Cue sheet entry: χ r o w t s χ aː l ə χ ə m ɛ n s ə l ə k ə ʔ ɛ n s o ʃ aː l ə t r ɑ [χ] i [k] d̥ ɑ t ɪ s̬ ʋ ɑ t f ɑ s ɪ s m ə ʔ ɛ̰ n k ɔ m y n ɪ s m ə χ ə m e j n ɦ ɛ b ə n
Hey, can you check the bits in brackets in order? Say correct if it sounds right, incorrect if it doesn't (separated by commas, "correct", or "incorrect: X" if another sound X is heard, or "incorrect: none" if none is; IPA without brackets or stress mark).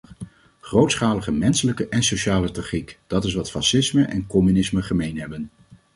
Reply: correct, correct